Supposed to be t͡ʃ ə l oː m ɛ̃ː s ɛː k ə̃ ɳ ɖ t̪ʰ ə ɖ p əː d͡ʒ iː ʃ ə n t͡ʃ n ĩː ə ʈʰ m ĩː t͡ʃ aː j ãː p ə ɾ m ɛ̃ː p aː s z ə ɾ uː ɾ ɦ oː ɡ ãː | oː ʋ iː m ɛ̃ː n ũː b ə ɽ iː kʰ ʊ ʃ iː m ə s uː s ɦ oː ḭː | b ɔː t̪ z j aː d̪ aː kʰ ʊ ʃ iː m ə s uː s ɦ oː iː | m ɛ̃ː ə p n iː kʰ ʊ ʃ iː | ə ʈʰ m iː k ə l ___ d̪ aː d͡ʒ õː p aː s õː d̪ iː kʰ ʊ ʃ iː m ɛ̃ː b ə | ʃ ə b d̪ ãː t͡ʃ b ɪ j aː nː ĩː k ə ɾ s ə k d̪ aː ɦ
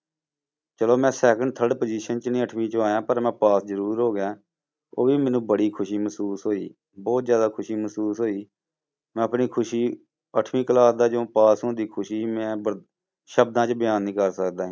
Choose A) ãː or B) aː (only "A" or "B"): B